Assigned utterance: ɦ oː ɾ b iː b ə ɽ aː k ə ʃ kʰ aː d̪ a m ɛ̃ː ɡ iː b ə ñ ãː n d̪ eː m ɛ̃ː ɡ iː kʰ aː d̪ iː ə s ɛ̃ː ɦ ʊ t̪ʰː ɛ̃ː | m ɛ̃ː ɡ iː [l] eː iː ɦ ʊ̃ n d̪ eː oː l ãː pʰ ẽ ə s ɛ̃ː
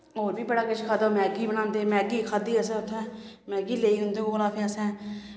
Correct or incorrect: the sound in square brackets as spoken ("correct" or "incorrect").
correct